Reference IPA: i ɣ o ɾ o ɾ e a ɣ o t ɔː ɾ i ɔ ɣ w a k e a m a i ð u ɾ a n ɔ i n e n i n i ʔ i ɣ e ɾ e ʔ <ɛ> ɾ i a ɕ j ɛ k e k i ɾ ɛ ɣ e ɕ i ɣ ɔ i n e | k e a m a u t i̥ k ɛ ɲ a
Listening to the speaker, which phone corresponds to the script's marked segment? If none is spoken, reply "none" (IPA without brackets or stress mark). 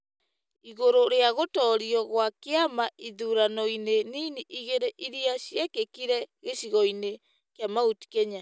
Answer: i